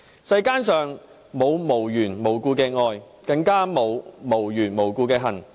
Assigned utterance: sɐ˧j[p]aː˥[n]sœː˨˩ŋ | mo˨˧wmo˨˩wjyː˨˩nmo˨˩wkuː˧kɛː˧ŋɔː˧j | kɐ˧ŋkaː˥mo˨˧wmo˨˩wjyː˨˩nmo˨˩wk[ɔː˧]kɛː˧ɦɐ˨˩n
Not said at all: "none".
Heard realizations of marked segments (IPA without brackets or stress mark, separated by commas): k, n, uː˧